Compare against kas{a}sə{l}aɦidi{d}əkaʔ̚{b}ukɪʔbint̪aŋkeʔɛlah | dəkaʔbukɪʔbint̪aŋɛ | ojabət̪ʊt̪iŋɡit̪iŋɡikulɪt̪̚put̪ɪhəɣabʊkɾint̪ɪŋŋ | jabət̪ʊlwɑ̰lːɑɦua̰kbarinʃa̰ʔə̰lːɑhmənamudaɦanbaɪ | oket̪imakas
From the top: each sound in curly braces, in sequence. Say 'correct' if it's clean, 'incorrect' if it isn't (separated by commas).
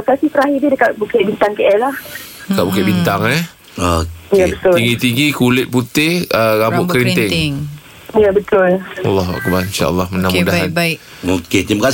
incorrect, incorrect, correct, correct